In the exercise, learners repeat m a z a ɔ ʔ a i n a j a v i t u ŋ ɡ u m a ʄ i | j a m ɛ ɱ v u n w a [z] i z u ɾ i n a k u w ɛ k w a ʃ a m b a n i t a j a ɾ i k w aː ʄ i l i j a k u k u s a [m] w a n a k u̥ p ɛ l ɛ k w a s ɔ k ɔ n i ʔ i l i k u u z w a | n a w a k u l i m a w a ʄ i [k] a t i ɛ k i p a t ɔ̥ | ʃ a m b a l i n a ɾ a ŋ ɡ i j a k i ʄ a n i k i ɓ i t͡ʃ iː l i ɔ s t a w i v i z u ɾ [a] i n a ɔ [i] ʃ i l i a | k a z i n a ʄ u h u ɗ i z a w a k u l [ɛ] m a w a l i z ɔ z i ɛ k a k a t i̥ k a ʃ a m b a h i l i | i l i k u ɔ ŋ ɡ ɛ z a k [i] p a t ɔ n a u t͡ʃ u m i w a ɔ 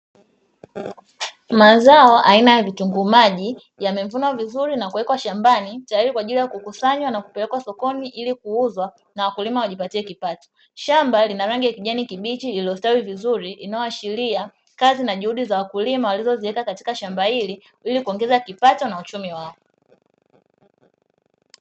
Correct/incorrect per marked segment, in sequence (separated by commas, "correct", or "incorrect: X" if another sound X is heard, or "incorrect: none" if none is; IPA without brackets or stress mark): incorrect: v, incorrect: ɲ, incorrect: p, incorrect: i, incorrect: a, incorrect: i, correct